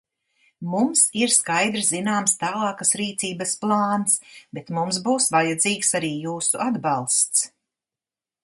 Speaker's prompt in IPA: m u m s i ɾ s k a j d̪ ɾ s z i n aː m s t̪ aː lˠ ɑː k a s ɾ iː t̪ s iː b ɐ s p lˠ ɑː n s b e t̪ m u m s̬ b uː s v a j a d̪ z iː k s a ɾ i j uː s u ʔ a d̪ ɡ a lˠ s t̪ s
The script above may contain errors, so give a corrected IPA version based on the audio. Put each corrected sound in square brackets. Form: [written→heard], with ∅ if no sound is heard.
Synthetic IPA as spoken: m u m s i ɾ s k a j d̪ ɾ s z i n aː m s t̪ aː lˠ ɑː k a s ɾ iː t̪ s iː b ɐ s p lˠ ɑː n s b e t̪ m u m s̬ b uː s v a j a d̪ z iː k s a ɾ [i→iː] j uː s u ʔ a d̪ [ɡ→b] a lˠ s t̪ s